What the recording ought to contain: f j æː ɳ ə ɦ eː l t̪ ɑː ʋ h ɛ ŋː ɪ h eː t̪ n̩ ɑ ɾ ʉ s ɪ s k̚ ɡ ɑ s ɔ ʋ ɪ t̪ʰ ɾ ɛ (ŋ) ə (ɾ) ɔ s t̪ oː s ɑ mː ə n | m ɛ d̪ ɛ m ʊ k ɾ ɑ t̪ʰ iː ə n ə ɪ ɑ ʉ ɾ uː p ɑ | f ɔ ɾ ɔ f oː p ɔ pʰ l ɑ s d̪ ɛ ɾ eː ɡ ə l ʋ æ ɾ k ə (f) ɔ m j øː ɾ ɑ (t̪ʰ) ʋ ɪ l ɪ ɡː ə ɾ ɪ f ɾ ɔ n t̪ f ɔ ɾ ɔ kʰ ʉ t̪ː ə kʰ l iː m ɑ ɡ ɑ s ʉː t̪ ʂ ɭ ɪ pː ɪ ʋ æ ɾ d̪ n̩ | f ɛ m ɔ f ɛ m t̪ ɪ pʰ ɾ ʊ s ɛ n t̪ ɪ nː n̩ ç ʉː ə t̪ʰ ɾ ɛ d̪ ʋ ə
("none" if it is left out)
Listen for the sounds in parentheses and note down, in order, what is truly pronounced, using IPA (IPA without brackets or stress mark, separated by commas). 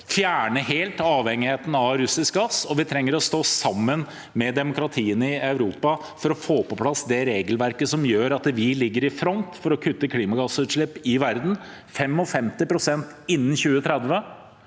ŋː, ɾ, s, t̪